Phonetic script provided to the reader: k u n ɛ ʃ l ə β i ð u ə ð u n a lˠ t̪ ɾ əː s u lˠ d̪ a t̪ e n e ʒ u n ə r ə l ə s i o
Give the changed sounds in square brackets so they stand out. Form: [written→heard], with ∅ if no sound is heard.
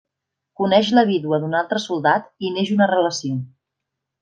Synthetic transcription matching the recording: k u n ɛ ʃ l ə β i ð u ə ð u n a lˠ t̪ ɾ [əː→ə] s u lˠ d̪ a t̪ [e→i] n e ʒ u n ə r ə l ə s i o